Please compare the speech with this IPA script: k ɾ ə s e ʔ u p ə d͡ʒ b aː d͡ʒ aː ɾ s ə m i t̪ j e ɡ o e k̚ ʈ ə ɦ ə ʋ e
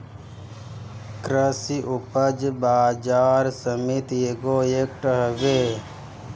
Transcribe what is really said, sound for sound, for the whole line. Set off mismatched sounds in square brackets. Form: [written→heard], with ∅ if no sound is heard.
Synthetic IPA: k ɾ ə s [e→i] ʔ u p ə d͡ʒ b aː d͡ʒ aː ɾ s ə m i t̪ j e ɡ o e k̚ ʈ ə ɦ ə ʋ e